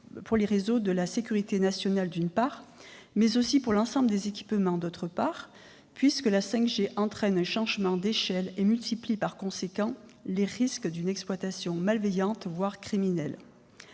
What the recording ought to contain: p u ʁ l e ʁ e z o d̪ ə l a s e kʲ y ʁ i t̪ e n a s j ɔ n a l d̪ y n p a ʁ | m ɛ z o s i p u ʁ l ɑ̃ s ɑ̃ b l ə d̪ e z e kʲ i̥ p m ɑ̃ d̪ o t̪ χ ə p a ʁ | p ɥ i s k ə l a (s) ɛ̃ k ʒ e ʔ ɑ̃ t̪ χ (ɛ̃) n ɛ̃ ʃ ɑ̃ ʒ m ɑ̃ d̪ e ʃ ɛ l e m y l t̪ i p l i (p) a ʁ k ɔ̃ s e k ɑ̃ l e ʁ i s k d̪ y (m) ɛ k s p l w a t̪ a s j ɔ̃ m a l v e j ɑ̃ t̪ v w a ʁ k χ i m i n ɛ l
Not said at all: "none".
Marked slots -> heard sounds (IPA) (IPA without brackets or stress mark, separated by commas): s, ɛ, p, n